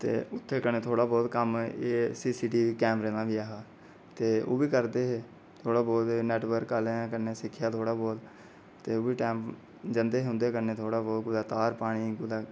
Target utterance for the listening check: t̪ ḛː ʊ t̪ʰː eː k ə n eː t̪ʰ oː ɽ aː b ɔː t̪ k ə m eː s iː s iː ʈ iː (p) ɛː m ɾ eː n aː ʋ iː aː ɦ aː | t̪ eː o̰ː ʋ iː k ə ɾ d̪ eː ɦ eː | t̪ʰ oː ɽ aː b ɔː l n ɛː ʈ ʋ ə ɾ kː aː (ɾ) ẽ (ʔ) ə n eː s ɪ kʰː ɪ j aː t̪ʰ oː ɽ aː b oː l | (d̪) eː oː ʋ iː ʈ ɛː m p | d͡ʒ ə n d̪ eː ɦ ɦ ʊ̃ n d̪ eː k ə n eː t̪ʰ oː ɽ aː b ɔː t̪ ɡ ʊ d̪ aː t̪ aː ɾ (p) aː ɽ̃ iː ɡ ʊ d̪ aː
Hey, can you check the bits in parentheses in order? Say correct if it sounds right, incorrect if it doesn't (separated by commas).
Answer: incorrect, incorrect, incorrect, incorrect, correct